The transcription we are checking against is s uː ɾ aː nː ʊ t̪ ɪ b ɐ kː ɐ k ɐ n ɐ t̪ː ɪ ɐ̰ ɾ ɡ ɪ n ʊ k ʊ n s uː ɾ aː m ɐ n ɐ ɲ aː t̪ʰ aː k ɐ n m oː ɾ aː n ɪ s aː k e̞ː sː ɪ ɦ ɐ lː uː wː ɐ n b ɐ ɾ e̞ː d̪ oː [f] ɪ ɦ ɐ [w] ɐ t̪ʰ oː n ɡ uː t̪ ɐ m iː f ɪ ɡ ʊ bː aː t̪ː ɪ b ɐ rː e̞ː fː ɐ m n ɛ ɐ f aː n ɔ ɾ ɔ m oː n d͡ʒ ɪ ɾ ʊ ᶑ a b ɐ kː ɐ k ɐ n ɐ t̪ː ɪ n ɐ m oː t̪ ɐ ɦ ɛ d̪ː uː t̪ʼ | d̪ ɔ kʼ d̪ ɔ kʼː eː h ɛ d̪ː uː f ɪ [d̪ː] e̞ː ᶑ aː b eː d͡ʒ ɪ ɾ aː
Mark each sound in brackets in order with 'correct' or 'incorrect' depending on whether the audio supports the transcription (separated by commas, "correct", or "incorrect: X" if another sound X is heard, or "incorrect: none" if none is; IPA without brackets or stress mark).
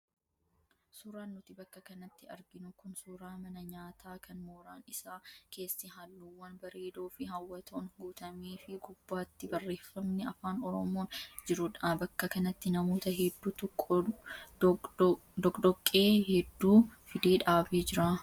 correct, incorrect: wː, incorrect: d̪